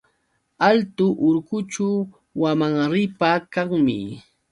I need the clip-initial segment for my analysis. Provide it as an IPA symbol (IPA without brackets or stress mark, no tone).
a